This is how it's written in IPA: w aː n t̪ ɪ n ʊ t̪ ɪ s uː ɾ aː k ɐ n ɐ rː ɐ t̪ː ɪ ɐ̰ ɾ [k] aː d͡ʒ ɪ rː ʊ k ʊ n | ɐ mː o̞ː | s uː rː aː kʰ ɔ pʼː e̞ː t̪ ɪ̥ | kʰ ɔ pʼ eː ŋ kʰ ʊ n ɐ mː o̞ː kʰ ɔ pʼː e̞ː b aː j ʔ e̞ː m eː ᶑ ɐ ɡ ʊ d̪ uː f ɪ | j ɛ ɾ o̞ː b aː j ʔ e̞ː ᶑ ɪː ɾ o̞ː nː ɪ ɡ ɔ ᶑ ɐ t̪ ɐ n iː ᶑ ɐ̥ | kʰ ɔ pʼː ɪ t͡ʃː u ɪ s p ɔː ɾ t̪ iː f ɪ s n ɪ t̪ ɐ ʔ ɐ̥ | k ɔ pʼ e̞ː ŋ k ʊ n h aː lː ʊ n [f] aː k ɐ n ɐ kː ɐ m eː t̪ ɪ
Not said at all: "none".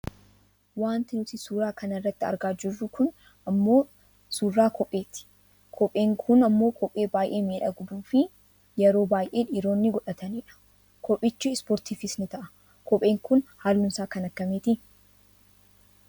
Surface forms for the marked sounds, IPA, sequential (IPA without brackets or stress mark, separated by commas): ɡ, s